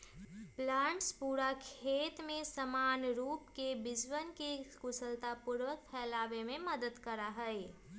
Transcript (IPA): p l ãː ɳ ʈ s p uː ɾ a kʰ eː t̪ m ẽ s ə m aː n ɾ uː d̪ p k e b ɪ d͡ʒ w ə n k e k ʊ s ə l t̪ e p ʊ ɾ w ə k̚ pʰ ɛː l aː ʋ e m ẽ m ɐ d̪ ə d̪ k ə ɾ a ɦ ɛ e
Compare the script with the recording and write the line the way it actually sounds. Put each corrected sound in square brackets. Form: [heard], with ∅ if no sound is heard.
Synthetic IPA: p l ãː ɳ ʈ s p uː ɾ a kʰ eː t̪ m ẽ s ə m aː n ɾ uː [∅] p k e b ɪ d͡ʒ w ə n k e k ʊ s ə l t̪ [a] p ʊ ɾ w ə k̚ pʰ ɛː l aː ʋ e m ẽ m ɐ d̪ ə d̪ k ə ɾ a ɦ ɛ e

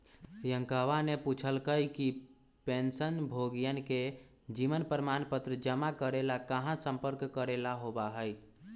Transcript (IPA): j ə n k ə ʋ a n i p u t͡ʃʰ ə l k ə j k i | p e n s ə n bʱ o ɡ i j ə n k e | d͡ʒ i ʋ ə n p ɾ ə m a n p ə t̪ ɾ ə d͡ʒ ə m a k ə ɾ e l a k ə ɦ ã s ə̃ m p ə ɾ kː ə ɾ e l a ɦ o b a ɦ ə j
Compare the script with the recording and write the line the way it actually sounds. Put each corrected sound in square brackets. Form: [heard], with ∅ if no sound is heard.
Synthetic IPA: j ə [ŋ] k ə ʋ a n [e] p u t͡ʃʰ ə l k ə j k i | p e n s ə n bʱ o ɡ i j ə n k e | d͡ʒ i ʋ ə n p ɾ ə m a n p ə t̪ ɾ ə d͡ʒ ə m a k ə ɾ e l a k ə ɦ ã s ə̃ m p ə ɾ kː ə ɾ e l a ɦ o b a ɦ ə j

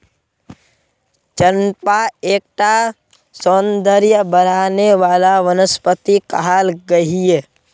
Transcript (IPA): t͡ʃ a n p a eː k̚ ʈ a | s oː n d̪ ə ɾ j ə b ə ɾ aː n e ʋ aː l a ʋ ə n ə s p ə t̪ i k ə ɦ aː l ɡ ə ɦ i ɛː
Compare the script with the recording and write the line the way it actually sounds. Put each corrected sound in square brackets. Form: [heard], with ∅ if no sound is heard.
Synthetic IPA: t͡ʃ [ə] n p a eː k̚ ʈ a | s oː n d̪ ə ɾ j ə b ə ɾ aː n e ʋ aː l a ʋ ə n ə s p ə t̪ i k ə ɦ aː l ɡ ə ɦ i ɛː

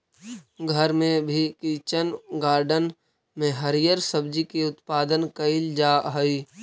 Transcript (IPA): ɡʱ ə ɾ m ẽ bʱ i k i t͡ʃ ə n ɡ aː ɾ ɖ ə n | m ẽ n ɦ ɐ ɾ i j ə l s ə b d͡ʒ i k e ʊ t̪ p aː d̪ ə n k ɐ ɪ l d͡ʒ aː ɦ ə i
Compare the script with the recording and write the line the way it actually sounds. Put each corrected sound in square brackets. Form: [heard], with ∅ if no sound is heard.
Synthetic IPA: ɡʱ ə ɾ m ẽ bʱ i k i t͡ʃ ə n ɡ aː ɾ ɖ ə n | m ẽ [∅] ɦ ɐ ɾ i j ə [ɾ] s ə b d͡ʒ i k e ʊ t̪ p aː d̪ ə n k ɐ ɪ l d͡ʒ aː ɦ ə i

